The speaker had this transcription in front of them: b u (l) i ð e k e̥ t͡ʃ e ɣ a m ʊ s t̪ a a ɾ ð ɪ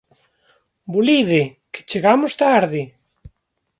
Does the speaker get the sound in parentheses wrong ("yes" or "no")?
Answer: no